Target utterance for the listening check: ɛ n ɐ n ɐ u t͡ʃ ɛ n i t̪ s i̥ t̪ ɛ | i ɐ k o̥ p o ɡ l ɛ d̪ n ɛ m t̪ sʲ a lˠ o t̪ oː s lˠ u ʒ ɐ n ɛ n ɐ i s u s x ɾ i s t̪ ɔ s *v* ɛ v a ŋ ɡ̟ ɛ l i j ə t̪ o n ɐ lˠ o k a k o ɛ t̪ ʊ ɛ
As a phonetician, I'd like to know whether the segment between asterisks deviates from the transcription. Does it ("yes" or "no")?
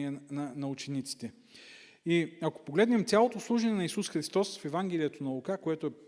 yes